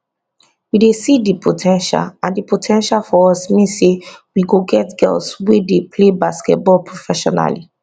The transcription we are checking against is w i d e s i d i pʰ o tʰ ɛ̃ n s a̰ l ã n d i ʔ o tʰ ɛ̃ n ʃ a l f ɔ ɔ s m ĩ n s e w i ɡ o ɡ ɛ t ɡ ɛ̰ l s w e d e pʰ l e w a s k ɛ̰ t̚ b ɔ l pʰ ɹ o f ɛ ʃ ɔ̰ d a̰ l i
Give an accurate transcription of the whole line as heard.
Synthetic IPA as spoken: w i d e s i d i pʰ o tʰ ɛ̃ n ʃ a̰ l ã n d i p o tʰ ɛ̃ n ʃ a l f ɔ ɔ s m ĩ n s e w i ɡ o ɡ ɛ t ɡ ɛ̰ l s w e d e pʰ l e b a s k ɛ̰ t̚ b ɔ l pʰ ɹ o f ɛ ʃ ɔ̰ n a̰ l i